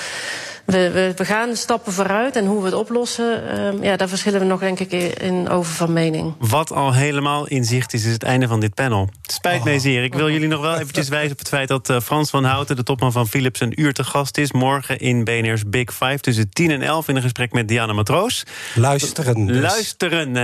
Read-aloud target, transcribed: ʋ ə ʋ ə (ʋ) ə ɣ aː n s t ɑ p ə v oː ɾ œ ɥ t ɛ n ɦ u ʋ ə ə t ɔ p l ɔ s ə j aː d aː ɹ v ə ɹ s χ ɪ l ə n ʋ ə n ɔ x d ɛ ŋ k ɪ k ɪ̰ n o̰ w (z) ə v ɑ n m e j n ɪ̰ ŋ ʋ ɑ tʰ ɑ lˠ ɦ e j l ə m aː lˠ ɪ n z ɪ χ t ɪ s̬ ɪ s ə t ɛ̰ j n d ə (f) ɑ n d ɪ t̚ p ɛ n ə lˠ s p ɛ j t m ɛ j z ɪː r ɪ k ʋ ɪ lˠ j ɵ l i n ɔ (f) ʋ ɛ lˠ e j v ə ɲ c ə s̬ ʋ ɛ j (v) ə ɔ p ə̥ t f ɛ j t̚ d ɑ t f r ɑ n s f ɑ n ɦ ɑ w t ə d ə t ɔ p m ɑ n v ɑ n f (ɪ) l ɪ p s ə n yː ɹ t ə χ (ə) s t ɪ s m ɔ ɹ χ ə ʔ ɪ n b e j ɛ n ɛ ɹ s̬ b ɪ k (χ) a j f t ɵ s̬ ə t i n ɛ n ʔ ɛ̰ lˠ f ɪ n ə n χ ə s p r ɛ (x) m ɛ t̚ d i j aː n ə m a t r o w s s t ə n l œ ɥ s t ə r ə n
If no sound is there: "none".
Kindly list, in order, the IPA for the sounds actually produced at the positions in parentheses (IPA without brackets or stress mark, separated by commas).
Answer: ʋ, v, v, χ, z, i, ɑ, f, k